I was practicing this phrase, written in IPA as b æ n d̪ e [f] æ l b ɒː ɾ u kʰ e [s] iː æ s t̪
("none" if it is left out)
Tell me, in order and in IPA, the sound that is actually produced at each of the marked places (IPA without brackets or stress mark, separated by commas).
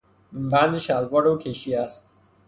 ʃ, ʃ